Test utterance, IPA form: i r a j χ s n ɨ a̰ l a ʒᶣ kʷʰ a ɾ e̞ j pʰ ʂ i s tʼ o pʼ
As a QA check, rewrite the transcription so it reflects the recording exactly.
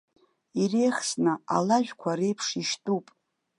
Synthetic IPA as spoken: i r e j χ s n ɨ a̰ l a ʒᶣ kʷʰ a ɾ e̞ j pʰ ʂ i ʃ tʼ u pʼ